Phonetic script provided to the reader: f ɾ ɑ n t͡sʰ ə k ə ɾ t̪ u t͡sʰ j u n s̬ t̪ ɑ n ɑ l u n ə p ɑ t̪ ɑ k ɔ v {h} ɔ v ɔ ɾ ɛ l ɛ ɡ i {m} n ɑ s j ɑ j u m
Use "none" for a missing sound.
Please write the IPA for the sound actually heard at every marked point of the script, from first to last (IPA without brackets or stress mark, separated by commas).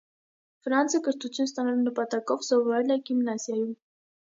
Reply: s, m